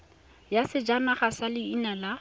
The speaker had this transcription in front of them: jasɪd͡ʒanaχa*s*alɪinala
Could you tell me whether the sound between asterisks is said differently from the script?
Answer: no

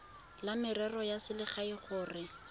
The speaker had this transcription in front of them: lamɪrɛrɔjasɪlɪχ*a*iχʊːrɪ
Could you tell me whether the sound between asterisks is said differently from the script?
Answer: no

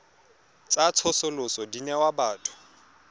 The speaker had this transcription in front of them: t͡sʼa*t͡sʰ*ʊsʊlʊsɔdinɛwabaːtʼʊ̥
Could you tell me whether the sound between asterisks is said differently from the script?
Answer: no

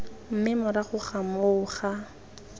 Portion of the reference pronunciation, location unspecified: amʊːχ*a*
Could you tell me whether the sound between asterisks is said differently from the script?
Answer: no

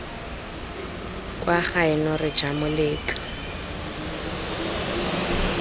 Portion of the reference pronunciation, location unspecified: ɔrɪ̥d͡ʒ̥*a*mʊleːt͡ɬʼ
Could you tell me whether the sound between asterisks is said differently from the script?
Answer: no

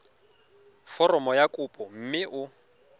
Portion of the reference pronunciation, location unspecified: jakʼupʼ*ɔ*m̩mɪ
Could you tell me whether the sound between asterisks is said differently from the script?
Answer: no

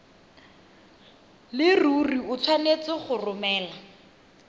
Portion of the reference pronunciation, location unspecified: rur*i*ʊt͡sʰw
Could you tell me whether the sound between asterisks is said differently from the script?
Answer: no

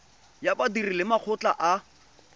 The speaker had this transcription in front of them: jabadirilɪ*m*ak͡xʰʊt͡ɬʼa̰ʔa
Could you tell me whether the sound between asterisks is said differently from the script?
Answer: no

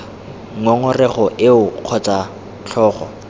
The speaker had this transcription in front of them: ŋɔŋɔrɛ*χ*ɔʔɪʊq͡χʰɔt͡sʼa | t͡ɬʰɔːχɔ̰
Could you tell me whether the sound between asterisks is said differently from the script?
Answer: no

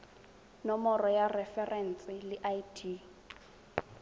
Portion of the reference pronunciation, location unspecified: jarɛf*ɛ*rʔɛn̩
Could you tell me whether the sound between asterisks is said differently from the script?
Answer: no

